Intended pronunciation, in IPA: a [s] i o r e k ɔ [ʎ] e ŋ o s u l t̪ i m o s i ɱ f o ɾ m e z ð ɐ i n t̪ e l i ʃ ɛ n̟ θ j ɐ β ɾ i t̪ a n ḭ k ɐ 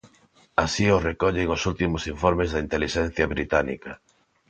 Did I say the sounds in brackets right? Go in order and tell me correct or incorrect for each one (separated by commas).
correct, correct